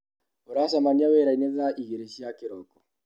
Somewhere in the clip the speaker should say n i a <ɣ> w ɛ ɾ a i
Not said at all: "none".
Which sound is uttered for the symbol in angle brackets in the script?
none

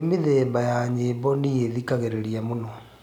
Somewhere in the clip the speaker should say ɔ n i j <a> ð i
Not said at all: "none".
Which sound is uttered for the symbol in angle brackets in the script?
e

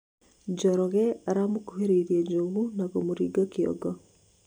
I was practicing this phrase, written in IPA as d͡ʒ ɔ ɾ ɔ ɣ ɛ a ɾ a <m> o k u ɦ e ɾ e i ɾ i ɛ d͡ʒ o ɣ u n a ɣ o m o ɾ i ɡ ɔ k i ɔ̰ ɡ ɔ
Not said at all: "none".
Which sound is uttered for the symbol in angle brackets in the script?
m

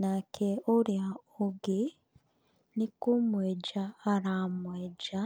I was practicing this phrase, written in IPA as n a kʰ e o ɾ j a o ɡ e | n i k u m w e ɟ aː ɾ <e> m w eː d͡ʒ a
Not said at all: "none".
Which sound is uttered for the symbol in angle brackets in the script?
a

